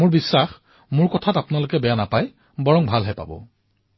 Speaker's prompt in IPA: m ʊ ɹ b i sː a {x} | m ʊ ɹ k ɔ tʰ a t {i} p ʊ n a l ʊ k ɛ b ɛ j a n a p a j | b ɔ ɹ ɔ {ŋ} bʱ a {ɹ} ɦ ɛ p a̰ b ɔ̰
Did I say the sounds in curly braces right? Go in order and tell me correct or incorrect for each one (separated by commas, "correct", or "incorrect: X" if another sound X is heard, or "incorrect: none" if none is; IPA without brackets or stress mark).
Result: correct, incorrect: a, correct, incorrect: l